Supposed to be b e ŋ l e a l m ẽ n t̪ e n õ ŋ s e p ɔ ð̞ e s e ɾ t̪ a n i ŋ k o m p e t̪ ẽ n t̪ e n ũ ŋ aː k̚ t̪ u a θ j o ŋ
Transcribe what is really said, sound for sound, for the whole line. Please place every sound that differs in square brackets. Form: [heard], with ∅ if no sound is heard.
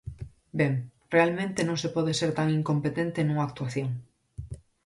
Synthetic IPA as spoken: b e ŋ [r] e a l m ẽ n t̪ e n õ ŋ s e p ɔ ð̞ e s e ɾ t̪ a [ŋ] i ŋ k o m p e t̪ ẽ n t̪ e n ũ ŋ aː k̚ t̪ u a θ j o ŋ